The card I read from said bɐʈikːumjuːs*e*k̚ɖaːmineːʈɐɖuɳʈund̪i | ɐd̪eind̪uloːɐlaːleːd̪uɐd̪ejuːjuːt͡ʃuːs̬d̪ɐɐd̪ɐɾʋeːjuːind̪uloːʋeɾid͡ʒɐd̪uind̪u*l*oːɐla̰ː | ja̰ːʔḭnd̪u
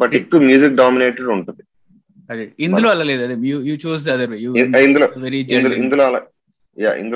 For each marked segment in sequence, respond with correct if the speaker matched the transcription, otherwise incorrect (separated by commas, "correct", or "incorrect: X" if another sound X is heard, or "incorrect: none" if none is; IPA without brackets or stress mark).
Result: incorrect: i, correct